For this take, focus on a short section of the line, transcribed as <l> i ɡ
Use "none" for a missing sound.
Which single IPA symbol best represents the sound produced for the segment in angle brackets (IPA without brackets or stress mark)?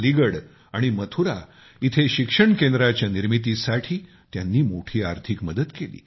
l